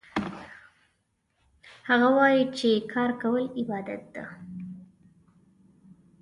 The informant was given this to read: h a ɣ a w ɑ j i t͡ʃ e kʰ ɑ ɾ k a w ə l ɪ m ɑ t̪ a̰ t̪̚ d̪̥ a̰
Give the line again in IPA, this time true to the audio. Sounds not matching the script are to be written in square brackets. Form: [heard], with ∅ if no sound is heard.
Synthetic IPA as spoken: h a ɣ a w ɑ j i t͡ʃ e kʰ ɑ ɾ k a w ə l ɪ [b] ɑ [d̪] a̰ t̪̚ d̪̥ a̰